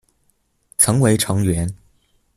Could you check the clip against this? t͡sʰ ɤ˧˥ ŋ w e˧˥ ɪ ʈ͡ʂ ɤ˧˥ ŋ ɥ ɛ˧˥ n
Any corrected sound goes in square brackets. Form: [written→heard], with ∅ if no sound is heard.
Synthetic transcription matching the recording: t͡sʰ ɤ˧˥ ŋ w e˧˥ ɪ [ʈ͡ʂ→ʈ͡ʂʰ] ɤ˧˥ ŋ ɥ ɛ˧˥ n